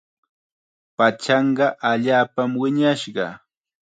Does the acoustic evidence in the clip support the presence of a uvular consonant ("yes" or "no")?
yes